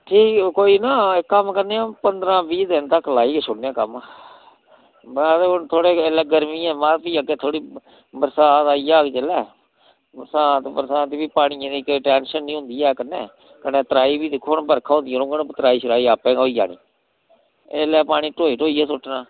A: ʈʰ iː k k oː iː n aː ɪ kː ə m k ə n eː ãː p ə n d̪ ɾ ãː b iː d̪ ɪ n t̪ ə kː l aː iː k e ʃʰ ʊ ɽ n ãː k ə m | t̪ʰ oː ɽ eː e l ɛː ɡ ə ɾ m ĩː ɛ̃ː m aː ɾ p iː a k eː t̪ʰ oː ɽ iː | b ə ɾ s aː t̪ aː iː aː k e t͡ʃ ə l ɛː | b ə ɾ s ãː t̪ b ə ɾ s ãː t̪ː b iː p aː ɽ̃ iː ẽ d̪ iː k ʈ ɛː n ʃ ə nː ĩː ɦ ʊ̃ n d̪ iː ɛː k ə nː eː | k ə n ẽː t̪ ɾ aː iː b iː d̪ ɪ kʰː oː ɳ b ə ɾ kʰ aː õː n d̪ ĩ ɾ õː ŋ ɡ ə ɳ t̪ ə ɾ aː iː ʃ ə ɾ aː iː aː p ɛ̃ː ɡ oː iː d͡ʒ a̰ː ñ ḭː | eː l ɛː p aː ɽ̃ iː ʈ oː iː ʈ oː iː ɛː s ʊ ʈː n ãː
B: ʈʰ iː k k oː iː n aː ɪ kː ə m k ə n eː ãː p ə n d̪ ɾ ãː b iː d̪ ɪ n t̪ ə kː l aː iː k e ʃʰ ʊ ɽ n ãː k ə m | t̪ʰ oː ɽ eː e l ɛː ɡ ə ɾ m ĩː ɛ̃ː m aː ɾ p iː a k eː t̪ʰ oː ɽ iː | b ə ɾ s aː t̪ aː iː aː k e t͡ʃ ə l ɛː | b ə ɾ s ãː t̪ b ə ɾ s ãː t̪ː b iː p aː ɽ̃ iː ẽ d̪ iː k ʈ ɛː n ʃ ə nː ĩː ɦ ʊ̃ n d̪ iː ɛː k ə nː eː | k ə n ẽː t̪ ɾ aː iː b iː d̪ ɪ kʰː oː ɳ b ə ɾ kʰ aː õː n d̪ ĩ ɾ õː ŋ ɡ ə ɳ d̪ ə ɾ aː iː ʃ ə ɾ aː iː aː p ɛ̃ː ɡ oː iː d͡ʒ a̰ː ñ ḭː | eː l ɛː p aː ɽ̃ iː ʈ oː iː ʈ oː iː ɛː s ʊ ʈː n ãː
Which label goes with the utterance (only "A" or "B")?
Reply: A